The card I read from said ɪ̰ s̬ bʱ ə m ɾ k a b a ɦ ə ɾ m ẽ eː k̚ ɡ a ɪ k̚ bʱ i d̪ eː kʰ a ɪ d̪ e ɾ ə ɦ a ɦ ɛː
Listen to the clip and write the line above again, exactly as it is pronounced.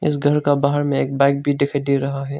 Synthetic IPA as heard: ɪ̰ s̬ ɡʱ ə ɾ k a b a ɦ ə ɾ m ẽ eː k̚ b a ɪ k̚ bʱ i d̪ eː kʰ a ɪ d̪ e ɾ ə ɦ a ɦ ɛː